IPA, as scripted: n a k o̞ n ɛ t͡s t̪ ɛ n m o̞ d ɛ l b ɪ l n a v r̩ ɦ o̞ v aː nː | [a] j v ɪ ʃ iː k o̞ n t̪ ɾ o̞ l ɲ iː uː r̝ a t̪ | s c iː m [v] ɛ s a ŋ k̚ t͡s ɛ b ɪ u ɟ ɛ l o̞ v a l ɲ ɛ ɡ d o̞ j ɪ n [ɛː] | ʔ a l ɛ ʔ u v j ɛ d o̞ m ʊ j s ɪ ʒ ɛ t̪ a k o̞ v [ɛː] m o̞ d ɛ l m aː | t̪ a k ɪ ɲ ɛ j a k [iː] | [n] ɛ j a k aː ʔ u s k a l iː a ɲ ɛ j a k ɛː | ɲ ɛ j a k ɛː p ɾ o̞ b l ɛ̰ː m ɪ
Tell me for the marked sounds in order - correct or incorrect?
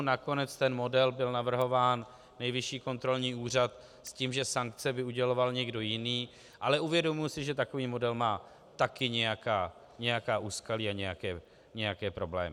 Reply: incorrect, incorrect, incorrect, incorrect, incorrect, incorrect

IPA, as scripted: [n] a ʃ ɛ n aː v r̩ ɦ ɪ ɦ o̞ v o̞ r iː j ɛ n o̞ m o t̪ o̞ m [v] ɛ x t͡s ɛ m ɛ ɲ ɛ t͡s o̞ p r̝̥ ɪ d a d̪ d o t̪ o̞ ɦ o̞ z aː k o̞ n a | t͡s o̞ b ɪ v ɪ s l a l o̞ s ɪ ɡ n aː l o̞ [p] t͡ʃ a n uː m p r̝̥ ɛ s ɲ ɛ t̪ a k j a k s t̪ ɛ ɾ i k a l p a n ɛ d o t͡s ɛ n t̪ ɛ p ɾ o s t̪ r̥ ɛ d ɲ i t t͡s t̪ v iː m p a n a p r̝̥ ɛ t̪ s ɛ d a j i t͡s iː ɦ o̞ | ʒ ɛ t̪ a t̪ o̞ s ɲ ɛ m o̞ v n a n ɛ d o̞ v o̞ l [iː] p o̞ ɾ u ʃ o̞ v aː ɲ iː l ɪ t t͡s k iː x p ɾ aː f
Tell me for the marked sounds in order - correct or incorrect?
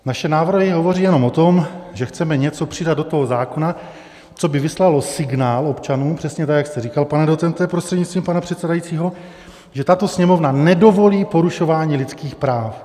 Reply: correct, incorrect, correct, correct

